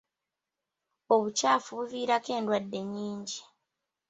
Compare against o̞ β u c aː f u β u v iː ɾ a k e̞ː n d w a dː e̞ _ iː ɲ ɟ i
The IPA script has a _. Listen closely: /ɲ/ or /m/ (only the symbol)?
ɲ